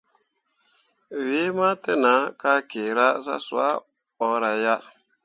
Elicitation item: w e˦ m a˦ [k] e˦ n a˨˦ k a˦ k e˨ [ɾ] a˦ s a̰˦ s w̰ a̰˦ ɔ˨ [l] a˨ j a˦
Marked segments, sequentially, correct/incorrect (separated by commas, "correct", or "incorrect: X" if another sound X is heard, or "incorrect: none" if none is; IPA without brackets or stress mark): incorrect: t, correct, incorrect: ɾ